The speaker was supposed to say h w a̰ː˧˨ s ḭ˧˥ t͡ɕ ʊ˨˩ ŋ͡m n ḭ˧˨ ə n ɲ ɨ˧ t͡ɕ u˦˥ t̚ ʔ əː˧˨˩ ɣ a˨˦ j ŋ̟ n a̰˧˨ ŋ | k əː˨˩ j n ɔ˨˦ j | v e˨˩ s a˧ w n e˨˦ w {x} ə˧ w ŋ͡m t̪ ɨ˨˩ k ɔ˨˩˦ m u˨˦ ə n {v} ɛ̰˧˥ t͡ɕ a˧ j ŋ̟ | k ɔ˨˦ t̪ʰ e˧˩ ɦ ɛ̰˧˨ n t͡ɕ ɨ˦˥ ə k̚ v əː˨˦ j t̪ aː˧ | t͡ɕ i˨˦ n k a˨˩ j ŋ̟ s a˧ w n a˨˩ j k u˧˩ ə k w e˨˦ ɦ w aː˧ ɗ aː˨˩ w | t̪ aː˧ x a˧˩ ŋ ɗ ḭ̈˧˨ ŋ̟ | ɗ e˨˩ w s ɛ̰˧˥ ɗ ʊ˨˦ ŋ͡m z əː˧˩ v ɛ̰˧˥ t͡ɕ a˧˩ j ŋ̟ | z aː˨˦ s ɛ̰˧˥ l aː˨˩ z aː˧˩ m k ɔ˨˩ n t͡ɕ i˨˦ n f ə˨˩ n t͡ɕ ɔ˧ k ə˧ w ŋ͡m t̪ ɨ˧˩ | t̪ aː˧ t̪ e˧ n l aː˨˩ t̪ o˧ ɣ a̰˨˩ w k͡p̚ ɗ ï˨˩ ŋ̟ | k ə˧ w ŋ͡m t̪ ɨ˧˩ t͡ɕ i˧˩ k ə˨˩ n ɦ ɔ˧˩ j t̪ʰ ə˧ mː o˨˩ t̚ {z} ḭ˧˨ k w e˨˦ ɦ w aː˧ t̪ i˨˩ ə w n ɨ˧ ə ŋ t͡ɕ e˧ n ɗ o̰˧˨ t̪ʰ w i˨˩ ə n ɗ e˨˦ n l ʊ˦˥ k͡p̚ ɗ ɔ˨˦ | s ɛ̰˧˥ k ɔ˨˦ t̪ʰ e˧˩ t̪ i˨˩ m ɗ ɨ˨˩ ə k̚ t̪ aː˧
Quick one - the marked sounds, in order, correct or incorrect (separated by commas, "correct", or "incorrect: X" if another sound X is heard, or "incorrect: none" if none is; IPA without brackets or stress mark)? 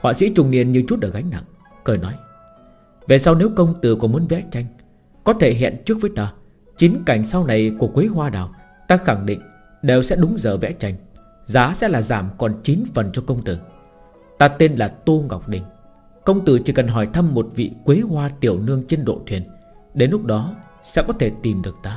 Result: incorrect: k, correct, incorrect: v